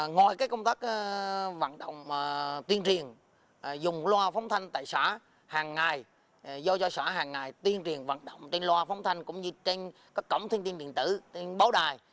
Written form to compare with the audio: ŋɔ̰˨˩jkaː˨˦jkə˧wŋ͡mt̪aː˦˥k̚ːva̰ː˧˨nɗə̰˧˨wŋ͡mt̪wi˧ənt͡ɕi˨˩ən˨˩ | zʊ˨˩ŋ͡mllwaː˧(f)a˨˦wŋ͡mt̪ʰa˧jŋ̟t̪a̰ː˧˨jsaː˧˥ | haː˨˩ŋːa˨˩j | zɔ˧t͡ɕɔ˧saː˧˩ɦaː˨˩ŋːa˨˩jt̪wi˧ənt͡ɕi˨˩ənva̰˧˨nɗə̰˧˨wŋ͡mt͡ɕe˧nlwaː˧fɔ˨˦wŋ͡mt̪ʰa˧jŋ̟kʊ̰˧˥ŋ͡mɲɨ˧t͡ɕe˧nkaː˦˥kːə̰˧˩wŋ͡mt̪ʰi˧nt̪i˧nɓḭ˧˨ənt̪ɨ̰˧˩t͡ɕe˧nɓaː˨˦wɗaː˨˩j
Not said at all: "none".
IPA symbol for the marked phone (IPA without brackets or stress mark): f